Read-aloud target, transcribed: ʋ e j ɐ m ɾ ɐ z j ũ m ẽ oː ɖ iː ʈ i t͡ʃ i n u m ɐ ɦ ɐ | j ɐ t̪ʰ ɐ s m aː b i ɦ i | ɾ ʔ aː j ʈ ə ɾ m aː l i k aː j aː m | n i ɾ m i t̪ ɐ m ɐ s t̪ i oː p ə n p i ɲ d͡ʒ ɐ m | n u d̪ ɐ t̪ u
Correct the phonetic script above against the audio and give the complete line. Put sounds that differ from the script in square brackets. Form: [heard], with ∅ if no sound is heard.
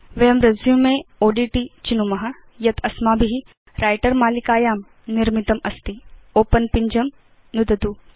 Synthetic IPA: ʋ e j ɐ m ɾ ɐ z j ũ m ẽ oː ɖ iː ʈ i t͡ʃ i n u m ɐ ɦ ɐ | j ɐ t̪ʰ ɐ s m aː b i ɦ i | ɾ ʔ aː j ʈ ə ɾ m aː l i k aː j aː m | n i ɾ m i t̪ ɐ m ɐ s t̪ i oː p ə n p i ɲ d͡ʒ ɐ m | n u d̪ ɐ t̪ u